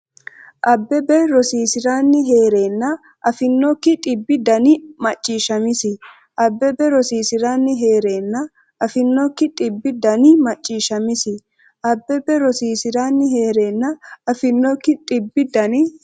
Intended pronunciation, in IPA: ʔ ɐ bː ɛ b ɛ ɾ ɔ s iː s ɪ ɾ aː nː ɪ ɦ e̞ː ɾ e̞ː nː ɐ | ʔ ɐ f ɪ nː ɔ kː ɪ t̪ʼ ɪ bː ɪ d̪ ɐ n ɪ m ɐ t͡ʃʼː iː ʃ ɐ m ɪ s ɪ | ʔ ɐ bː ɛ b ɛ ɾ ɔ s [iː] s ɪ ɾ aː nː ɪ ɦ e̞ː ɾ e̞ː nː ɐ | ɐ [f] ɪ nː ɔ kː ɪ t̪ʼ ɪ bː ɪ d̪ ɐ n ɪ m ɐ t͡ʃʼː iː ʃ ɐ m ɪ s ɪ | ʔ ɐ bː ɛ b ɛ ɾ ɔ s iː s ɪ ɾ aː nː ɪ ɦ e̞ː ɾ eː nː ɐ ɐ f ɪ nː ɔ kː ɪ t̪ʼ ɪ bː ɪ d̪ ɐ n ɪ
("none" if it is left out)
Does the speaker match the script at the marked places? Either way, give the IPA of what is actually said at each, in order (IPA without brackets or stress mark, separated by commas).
iː, f